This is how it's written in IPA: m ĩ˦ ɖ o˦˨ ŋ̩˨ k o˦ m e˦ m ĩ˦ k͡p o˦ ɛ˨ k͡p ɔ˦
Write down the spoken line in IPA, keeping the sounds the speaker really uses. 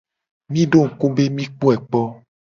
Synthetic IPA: m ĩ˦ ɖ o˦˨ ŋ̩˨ k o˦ b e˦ m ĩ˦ k͡p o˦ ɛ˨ k͡p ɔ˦